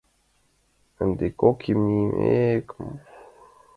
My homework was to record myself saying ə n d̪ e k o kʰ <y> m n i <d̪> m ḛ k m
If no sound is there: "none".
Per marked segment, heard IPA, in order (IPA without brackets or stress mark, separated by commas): i, none